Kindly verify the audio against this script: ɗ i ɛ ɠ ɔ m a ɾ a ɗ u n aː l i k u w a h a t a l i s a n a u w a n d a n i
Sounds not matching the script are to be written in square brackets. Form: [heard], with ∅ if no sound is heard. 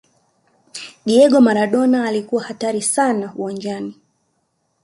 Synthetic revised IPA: ɗ i ɛ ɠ ɔ m a ɾ a ɗ [ɔ] n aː l i k u w a h a t a [ɾ] i s a n a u w a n [d͡ʒ] a n i